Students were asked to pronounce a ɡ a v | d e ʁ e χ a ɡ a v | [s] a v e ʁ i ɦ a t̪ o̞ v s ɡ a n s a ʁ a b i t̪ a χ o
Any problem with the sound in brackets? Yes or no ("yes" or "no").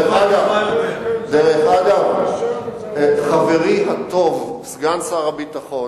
yes